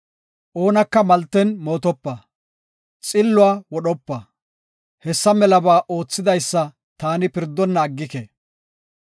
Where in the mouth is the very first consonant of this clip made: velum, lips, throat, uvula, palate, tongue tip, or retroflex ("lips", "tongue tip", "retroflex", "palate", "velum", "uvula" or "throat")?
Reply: throat